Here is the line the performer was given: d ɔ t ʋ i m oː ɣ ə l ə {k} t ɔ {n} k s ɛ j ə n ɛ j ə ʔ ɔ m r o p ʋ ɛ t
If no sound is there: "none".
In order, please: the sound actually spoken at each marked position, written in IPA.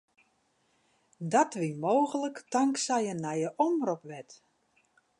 k, ŋ

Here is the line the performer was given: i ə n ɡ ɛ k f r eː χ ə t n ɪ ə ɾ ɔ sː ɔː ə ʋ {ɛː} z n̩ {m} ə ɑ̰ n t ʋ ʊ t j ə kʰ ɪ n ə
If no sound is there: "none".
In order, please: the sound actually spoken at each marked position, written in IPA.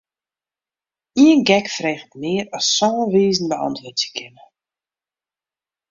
iː, b

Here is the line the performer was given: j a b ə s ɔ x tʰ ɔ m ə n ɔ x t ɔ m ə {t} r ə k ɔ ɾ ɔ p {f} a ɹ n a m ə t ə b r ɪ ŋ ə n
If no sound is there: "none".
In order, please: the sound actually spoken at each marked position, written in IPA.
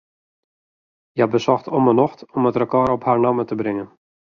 t, h

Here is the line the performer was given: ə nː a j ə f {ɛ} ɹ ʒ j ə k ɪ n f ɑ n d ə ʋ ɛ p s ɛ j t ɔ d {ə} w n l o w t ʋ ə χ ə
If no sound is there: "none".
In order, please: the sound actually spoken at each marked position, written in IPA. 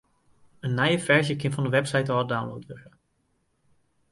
ɛ, a

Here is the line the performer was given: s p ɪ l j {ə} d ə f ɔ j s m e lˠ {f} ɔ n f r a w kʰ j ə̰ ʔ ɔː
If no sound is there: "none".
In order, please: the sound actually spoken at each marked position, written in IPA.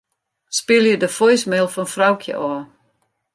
ə, f

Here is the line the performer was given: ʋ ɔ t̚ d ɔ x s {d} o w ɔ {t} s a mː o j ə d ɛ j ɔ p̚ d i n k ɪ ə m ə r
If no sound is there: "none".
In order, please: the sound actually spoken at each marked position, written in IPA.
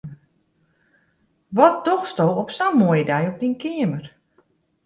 t, p

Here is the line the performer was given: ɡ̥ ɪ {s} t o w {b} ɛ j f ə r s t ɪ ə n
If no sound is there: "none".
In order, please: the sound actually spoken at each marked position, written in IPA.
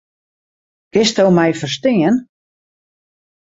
s, m

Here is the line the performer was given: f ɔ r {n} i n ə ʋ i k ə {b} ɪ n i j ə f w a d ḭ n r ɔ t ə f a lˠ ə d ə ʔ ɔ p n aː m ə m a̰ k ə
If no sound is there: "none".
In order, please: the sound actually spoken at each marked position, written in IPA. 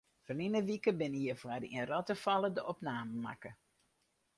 n, b

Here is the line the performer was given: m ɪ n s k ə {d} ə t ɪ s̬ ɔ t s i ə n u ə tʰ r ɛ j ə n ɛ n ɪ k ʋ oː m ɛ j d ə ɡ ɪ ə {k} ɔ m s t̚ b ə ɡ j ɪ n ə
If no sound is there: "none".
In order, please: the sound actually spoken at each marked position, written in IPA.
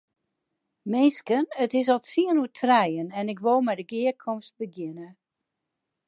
n, kʰ

